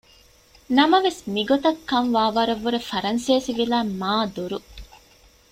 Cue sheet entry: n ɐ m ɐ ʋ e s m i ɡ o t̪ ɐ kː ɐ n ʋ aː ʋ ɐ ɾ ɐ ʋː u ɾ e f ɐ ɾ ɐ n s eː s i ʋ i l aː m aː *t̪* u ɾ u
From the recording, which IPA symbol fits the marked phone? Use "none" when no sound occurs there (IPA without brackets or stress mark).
d̪